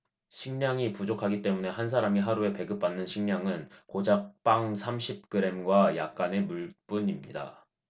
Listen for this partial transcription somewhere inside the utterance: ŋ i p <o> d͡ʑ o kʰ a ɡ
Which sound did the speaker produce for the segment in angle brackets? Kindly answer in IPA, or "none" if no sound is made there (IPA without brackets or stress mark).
u